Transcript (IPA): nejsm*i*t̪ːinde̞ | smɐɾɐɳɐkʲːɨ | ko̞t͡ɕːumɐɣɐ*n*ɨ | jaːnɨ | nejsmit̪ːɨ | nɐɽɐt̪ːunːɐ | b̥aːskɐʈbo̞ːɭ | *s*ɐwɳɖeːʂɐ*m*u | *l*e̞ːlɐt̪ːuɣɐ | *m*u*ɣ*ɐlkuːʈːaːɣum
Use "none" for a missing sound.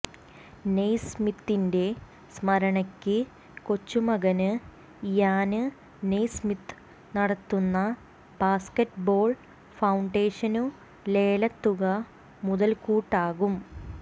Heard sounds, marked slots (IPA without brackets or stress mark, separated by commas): i, n, f, n, l, m, ð